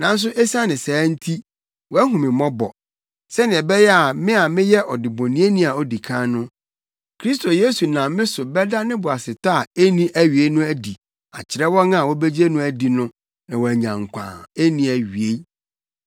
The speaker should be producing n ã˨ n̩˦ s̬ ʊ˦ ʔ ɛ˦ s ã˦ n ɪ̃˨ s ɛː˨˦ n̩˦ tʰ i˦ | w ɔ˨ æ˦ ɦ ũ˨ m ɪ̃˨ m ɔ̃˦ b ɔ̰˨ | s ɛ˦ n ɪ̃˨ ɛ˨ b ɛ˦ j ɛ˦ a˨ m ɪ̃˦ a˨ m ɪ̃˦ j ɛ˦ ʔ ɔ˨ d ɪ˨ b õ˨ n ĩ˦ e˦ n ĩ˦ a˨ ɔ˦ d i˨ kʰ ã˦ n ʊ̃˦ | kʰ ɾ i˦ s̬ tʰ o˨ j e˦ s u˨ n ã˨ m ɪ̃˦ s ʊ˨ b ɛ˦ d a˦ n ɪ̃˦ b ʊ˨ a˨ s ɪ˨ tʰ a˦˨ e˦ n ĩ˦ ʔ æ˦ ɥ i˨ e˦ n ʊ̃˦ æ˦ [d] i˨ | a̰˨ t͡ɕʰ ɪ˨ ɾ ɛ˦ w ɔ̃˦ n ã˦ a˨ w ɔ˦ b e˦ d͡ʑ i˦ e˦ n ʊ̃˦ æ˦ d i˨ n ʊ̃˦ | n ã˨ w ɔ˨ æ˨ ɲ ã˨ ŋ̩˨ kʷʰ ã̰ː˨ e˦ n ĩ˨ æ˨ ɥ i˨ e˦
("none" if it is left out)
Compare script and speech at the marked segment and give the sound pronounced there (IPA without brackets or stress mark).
d